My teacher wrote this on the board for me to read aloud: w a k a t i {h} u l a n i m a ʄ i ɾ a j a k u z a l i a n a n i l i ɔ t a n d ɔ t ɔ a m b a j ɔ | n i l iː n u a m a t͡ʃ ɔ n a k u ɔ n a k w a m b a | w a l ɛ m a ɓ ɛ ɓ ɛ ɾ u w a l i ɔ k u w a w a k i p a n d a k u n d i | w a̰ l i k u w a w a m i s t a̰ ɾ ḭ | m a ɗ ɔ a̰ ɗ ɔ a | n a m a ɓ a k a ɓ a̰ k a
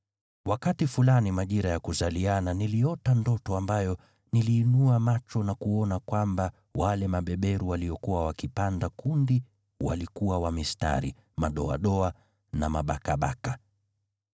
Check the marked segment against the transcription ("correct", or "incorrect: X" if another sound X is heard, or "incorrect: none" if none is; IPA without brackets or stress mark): incorrect: f